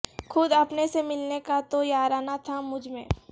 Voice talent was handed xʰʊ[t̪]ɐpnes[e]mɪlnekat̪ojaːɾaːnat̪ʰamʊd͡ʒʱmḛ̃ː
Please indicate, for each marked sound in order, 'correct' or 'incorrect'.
incorrect, correct

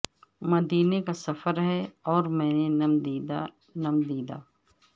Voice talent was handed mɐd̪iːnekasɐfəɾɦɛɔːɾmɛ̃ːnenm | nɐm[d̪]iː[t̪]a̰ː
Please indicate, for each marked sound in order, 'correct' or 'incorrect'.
correct, incorrect

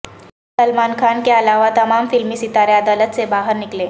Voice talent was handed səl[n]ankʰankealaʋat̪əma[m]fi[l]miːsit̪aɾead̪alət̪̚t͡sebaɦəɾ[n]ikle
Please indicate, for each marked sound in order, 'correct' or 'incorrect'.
incorrect, correct, correct, correct

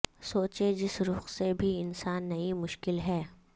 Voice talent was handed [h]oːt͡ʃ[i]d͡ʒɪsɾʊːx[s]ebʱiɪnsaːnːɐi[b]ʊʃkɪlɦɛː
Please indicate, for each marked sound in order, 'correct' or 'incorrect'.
incorrect, incorrect, correct, incorrect

